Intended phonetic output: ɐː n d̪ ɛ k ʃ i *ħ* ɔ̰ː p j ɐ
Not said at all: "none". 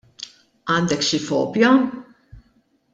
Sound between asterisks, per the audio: f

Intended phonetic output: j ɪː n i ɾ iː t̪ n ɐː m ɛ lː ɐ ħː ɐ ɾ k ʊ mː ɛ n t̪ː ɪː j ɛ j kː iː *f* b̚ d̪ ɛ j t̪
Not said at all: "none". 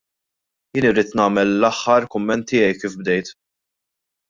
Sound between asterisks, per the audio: f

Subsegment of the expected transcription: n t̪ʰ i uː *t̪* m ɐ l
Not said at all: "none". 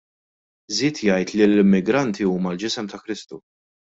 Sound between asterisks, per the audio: none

